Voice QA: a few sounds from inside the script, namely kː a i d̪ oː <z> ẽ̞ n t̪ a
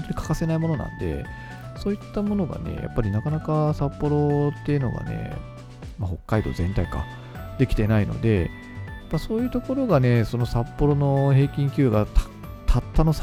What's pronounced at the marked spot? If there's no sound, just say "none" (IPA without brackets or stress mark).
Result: z